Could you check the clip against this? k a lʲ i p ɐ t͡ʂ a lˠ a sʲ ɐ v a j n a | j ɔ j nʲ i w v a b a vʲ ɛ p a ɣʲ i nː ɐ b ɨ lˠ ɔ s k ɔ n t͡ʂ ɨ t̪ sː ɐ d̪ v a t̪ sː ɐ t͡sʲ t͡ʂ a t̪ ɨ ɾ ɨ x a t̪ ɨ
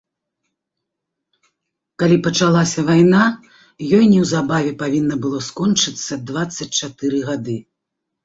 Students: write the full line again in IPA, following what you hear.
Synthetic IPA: k a lʲ i p ɐ t͡ʂ a lˠ a sʲ ɐ v a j n a | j ɔ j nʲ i w z a b a vʲ ɛ p a vʲ i nː ɐ b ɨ lˠ ɔ s k ɔ n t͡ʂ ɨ t̪ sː ɐ d̪ v a t̪ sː ɐ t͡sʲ t͡ʂ a t̪ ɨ ɾ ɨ ɣ a d̪ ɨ